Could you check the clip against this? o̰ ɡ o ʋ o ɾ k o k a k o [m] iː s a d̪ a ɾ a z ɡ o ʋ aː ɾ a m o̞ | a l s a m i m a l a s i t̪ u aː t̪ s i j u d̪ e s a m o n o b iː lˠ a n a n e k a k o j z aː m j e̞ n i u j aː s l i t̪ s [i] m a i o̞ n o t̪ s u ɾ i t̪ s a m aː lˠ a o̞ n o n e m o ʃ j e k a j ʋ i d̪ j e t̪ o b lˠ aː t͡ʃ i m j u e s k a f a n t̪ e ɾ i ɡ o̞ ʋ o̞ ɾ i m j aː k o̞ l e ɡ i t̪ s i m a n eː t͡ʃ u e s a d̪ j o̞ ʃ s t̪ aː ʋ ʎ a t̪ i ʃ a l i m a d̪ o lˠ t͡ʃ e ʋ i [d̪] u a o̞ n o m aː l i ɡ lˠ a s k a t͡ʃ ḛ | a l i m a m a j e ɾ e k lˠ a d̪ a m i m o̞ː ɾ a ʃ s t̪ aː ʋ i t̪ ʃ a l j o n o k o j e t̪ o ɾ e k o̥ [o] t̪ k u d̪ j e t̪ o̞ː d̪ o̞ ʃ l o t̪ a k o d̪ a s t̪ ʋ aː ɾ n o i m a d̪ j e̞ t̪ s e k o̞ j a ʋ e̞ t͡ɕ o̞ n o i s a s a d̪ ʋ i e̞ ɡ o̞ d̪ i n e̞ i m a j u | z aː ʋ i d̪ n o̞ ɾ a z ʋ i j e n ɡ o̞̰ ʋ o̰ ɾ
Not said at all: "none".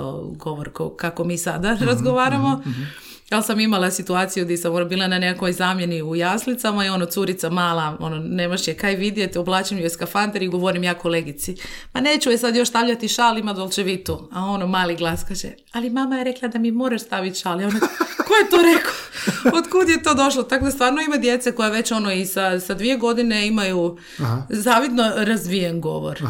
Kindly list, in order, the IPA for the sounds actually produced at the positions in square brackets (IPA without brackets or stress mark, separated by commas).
m, a, t̪, o